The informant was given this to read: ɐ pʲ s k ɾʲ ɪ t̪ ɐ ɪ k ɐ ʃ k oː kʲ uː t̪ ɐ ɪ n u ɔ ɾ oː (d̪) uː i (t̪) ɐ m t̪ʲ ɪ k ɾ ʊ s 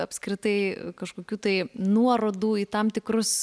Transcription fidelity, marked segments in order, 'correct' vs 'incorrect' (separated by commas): correct, correct